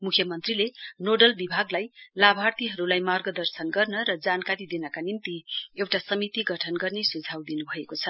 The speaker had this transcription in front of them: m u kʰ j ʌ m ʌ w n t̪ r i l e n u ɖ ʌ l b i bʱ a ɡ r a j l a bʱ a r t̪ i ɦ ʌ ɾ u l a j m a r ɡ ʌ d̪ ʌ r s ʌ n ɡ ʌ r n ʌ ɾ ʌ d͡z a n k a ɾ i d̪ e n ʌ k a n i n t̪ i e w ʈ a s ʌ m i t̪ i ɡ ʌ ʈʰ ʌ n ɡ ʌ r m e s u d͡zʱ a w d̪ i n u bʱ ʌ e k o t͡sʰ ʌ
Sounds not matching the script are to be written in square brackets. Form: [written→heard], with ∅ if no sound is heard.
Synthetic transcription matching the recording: m u kʰ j ʌ m ʌ [w→∅] n t̪ r i l e n [u→o] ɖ ʌ l b i bʱ a ɡ [r→l] a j l a bʱ a r t̪ i ɦ ʌ ɾ u l a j m a r ɡ ʌ d̪ ʌ r s ʌ n ɡ ʌ r n ʌ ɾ ʌ d͡z a n k a ɾ i d̪ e n ʌ k a n i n t̪ i e w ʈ a s ʌ m i t̪ i ɡ ʌ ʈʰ ʌ n ɡ ʌ r [m→n] e s u d͡zʱ a w d̪ i n u bʱ ʌ e k o t͡sʰ ʌ